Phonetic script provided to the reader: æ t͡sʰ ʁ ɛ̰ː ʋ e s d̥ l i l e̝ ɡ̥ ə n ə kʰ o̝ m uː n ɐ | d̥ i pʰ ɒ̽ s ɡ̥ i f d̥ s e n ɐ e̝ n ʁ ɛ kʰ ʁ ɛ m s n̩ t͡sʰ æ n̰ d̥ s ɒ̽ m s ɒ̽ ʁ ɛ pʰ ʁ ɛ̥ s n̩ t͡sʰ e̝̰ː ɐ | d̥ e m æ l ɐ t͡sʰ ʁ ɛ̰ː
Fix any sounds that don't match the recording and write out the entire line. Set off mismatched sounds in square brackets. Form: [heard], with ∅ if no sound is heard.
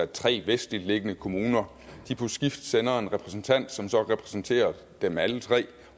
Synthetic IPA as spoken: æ t͡sʰ ʁ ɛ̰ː ʋ e s d̥ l i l e̝ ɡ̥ ə n ə kʰ o̝ m uː n ɐ | d̥ i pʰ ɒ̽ s ɡ̥ i f d̥ s e n ɐ e̝ n ʁ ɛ [pʰ] ʁ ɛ [∅] s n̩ t͡sʰ æ n̰ d̥ s ɒ̽ m s ɒ̽ ʁ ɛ pʰ ʁ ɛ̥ s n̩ t͡sʰ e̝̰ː ɐ | d̥ e m æ l [ə] t͡sʰ ʁ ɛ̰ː